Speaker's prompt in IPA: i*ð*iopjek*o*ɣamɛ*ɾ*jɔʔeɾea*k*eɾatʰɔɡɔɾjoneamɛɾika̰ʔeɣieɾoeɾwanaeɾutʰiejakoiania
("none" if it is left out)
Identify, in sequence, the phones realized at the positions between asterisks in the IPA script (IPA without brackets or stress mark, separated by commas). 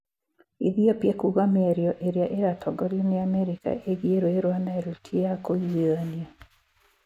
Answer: ð, u, ɾ, ʔ